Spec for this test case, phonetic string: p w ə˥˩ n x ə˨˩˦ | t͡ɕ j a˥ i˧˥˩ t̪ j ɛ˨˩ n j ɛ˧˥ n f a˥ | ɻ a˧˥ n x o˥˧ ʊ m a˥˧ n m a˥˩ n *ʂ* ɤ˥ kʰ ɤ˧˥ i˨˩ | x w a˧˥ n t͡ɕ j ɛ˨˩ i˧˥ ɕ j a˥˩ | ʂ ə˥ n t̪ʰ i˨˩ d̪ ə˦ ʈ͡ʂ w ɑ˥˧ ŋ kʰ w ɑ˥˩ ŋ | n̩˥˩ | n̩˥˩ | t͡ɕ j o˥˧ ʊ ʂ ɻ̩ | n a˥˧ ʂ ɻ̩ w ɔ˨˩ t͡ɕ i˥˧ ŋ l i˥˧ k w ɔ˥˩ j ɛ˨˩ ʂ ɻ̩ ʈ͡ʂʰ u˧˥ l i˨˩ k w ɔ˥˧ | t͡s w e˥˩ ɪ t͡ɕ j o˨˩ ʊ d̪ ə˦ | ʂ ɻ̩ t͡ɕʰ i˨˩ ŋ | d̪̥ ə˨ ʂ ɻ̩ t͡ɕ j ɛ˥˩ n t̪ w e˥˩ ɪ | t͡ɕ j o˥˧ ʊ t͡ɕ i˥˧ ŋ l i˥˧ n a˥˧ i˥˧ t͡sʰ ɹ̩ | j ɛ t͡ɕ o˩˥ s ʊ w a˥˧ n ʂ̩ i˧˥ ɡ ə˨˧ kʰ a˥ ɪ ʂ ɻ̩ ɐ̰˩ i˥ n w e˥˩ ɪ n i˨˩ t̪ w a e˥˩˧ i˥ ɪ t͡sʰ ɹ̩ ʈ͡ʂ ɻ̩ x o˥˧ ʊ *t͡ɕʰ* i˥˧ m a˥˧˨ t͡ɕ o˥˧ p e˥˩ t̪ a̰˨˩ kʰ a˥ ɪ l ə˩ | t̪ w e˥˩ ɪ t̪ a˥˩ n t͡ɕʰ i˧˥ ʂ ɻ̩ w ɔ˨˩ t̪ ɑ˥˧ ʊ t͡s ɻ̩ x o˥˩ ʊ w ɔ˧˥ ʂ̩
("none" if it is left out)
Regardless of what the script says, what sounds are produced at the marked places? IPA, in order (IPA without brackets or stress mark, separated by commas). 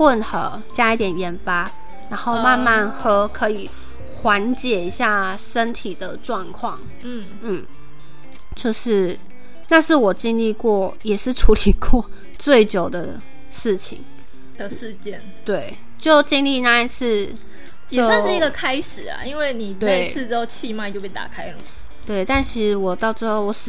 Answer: x, t͡ɕʰ